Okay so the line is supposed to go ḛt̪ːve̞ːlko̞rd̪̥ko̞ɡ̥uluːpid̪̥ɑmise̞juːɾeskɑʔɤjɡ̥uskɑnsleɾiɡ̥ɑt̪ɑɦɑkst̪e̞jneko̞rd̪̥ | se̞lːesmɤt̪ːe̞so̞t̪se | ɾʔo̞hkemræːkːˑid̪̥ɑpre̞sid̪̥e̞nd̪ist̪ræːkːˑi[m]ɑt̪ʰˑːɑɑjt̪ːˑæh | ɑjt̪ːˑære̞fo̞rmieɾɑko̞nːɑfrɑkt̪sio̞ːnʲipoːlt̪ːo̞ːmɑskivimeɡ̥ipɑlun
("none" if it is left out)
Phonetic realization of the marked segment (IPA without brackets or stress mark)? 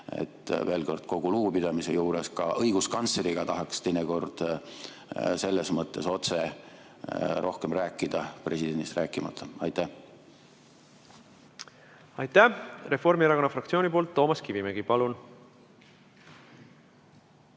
m